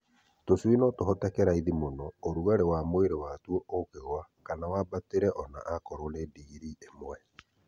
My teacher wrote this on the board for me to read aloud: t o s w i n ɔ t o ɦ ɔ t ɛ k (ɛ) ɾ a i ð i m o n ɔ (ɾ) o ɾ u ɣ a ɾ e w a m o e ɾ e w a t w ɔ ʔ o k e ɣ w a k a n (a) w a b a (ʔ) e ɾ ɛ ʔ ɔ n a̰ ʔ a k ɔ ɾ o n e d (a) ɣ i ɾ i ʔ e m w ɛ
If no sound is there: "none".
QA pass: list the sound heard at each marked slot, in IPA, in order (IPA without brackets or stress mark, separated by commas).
ɛ, none, a, t, i